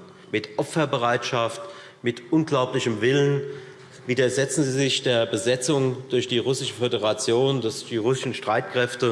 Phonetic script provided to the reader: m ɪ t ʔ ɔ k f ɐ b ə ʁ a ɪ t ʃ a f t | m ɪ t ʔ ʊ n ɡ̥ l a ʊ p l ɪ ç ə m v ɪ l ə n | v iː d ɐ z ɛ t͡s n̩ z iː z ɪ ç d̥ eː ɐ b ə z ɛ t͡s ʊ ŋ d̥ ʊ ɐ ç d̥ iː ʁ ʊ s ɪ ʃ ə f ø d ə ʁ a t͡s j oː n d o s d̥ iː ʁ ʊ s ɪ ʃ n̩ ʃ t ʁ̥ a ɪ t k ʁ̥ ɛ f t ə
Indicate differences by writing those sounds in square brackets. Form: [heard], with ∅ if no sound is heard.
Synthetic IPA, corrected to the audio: m ɪ t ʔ ɔ [p] f ɐ b ə ʁ a ɪ t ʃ a f t | m ɪ t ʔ ʊ n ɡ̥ l a ʊ p l ɪ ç ə m v ɪ l ə n | v iː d ɐ z ɛ t͡s n̩ z iː z ɪ ç d̥ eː ɐ b ə z ɛ t͡s ʊ ŋ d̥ ʊ ɐ ç d̥ iː ʁ ʊ s ɪ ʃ ə f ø d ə ʁ a t͡s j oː n d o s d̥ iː ʁ ʊ s ɪ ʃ n̩ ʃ t ʁ̥ a ɪ t k ʁ̥ ɛ f t ə